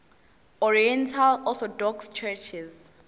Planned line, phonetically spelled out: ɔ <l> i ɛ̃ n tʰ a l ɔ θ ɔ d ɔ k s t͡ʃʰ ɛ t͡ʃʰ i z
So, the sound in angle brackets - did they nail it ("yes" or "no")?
no